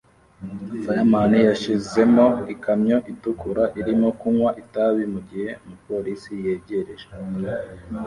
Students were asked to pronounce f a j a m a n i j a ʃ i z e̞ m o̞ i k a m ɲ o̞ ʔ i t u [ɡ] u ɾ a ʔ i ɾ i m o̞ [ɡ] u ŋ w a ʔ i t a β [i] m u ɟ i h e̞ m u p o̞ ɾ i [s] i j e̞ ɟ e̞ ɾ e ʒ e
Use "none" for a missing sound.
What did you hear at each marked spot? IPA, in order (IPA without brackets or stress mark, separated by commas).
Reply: k, k, i, s